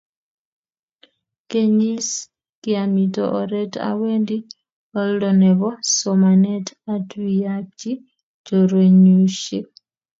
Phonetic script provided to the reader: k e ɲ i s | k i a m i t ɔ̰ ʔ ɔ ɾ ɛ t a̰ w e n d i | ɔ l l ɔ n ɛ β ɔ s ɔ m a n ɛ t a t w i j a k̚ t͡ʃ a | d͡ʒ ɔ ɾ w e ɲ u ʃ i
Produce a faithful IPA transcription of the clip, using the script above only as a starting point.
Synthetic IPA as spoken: k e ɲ i s | k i a m i t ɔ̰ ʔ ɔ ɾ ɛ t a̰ w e n d i | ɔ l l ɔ n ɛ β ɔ s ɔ m a n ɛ t a t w i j a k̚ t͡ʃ i | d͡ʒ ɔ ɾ w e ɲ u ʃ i